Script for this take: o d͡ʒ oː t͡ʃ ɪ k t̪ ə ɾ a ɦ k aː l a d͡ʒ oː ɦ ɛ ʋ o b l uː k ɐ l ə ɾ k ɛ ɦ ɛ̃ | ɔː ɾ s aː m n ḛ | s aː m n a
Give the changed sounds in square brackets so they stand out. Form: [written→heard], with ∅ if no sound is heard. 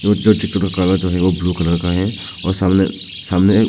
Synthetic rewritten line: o d͡ʒ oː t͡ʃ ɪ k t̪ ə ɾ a [ɦ→∅] k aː l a d͡ʒ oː ɦ ɛ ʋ o b l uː k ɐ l ə ɾ k [ɛ→a] ɦ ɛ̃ | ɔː ɾ s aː m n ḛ | s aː m n [a→e]